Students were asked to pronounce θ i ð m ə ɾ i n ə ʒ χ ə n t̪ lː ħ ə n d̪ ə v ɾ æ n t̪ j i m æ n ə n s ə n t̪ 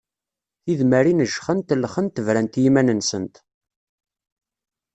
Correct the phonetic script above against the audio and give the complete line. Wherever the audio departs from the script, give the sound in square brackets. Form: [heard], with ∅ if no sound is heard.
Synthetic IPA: θ i ð m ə ɾ i n ə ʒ χ ə n t̪ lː [χ] ə n [t̪] ə v ɾ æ n t̪ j i m æ n ə n s ə n t̪